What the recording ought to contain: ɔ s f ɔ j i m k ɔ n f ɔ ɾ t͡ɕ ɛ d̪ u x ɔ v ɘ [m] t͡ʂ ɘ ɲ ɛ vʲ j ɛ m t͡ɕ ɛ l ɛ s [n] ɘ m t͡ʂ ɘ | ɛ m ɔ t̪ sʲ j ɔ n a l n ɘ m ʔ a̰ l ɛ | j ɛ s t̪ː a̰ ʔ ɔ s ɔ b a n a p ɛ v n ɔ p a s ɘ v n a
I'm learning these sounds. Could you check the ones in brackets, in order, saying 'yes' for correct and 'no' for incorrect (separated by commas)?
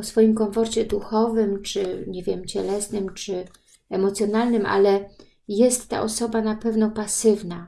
yes, yes